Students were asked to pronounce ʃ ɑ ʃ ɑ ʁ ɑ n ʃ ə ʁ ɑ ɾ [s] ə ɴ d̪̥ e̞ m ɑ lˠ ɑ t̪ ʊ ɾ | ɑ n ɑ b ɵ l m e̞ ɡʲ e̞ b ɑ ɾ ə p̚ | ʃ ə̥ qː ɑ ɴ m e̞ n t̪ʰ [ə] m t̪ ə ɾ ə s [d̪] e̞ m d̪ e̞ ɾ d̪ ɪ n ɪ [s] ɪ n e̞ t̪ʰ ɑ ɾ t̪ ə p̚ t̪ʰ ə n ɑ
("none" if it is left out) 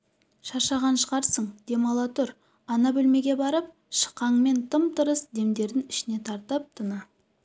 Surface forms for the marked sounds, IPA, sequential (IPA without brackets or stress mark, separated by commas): s, ə, d̪, ʃ